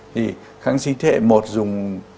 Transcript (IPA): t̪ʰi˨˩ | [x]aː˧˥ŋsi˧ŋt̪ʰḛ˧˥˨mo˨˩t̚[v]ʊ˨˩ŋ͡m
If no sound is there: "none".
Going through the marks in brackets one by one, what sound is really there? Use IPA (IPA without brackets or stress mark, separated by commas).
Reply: x, z